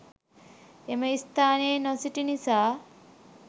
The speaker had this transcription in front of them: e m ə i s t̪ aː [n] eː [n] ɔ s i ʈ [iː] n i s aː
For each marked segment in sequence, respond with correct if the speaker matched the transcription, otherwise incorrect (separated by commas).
correct, correct, incorrect